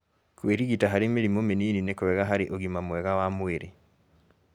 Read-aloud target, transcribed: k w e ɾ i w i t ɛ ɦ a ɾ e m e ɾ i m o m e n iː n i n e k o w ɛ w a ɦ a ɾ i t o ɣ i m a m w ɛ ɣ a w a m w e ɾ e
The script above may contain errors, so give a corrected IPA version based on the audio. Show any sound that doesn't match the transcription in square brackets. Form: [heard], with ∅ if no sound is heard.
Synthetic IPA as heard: k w e ɾ i [ɣ] i t [a] ɦ a ɾ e m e ɾ i m o m e n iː n i n e k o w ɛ [ɣ] a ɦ a ɾ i [ʔ] o ɣ i m a m w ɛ ɣ a w a m w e ɾ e